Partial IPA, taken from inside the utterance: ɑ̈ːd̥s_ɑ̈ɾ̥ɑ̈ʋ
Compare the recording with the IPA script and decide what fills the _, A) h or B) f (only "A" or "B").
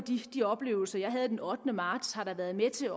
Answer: A